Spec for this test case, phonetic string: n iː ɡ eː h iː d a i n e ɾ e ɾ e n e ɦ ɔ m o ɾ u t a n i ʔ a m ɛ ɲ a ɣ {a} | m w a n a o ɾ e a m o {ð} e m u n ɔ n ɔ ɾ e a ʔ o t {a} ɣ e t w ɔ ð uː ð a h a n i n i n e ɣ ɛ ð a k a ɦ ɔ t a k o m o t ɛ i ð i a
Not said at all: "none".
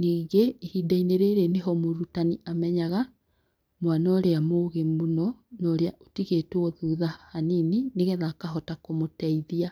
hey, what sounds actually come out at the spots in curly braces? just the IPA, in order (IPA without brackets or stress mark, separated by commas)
a, ɣ, i